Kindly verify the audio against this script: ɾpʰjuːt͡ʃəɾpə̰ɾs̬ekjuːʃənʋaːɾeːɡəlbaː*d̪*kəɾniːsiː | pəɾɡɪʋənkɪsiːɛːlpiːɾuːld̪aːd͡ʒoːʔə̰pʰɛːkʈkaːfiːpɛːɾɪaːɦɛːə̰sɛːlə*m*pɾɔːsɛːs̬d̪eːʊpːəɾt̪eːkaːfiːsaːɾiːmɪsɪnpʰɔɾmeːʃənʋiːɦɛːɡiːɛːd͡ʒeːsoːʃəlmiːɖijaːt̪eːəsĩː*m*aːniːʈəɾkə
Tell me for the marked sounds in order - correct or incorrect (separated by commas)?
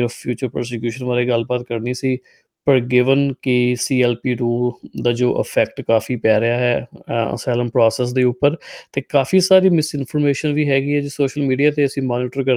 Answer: incorrect, correct, correct